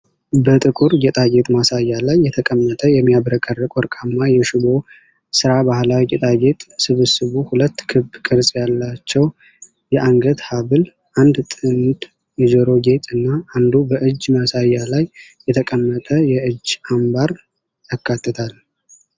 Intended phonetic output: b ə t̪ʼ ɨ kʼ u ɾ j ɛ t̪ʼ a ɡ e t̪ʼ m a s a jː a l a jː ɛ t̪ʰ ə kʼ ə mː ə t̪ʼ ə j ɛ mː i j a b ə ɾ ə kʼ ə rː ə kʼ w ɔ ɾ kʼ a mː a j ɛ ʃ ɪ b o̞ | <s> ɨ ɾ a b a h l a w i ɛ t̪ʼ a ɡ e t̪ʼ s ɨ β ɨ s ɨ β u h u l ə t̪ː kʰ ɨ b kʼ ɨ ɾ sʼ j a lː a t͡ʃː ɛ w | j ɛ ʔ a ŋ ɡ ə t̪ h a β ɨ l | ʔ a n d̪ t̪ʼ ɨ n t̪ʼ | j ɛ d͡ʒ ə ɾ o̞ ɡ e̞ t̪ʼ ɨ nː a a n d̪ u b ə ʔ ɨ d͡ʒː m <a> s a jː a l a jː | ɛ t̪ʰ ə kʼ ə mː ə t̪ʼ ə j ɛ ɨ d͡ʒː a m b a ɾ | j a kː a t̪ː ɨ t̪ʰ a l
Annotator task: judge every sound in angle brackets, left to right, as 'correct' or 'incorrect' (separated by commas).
correct, correct